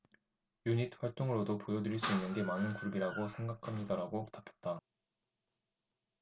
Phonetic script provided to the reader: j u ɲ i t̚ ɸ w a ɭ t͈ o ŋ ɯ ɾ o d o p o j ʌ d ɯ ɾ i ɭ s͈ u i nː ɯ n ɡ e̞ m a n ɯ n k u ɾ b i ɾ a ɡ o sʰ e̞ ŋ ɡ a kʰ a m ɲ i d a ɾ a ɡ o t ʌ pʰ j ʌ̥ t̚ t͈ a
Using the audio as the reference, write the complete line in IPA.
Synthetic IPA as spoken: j u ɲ i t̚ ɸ w a ɭ t͈ o ŋ ɯ ɾ o d o p o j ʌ d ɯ ɾ i ɭ s͈ u i nː ɯ n ɡ e̞ m a n ɯ n k u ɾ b i ɾ a ɡ o sʰ e̞ ŋ ɡ a kʰ a m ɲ i d a ɾ a ɡ o t a pʰ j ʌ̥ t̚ t͈ a

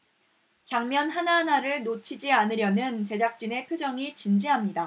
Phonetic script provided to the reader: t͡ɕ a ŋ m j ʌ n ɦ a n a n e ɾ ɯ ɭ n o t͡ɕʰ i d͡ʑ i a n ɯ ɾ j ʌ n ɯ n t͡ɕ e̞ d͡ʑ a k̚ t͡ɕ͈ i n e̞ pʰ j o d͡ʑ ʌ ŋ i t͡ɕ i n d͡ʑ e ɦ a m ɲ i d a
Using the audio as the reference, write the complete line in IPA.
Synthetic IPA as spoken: t͡ɕ a ŋ m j ʌ n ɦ a n a n a ɾ ɯ ɭ n o t͡ɕʰ i d͡ʑ i a n ɯ ɾ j ʌ n ɯ n t͡ɕ e̞ d͡ʑ a k̚ t͡ɕ͈ i n e̞ pʰ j o d͡ʑ ʌ ŋ i t͡ɕ i n d͡ʑ i ɦ a m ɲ i d a

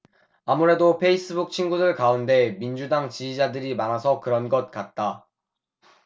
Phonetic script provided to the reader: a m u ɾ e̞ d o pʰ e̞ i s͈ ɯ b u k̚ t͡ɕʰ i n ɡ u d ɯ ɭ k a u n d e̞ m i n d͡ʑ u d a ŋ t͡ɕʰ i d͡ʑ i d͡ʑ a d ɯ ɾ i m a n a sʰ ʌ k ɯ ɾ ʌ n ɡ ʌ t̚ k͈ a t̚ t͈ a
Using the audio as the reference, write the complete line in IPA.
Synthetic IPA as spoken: a m u ɾ e̞ d o pʰ e̞ i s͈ ɯ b u k̚ t͡ɕʰ i n ɡ u d ɯ ɭ k a u n d e̞ m i n d͡ʑ u d a ŋ t͡ɕ i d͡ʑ i d͡ʑ a d ɯ ɾ i m a n a sʰ ʌ k ɯ ɾ ʌ n ɡ ʌ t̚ k͈ a t̚ t͈ a

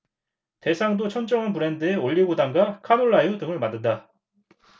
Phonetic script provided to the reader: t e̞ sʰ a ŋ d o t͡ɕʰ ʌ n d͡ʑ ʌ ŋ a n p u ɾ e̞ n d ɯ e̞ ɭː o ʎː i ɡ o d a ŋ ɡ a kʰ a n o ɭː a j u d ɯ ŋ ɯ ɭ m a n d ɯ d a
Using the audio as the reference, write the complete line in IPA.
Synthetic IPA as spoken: t e̞ sʰ a ŋ d o t͡ɕʰ ʌ n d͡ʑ ʌ ŋ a n p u ɾ e̞ n d ɯ e̞ o ʎː i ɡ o d a ŋ ɡ a kʰ a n o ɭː a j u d ɯ ŋ ɯ ɭ m a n d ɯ d a

